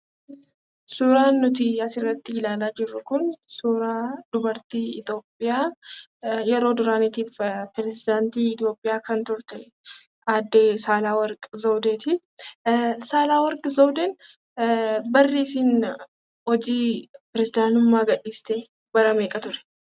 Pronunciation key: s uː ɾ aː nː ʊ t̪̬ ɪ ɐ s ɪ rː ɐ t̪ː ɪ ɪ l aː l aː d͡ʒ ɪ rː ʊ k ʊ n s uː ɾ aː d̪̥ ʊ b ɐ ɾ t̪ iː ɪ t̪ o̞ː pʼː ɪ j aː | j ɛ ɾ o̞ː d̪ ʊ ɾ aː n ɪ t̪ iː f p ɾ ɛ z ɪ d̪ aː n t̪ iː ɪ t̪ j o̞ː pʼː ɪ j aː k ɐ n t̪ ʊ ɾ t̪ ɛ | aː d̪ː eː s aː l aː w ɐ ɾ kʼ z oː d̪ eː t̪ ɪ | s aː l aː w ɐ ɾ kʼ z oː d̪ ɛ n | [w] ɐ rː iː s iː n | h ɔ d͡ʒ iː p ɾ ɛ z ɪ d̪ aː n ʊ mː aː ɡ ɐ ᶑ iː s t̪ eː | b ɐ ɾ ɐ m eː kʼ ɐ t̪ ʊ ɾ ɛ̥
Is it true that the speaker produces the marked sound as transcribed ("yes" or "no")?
no